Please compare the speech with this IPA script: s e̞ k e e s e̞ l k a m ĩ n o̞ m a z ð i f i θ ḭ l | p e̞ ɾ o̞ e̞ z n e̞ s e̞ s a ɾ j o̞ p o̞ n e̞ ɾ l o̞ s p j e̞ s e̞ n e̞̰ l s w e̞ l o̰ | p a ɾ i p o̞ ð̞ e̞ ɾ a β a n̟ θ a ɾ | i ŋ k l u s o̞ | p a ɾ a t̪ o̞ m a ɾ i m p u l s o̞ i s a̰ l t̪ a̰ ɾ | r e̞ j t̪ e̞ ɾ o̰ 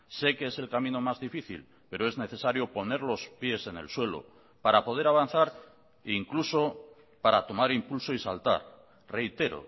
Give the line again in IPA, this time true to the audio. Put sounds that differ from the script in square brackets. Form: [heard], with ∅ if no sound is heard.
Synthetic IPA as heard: s e̞ k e e s e̞ l k a m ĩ n o̞ m a z ð i f i θ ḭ l | p e̞ ɾ o̞ e̞ z n e̞ [θ] e̞ s a ɾ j o̞ p o̞ n e̞ ɾ l o̞ s p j e̞ s e̞ n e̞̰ l s w e̞ l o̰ | p a ɾ [a] p o̞ ð̞ e̞ ɾ a β a n̟ θ a ɾ | i ŋ k l u s o̞ | p a ɾ a t̪ o̞ m a ɾ i m p u l s o̞ i s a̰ l t̪ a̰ ɾ | r e̞ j t̪ e̞ ɾ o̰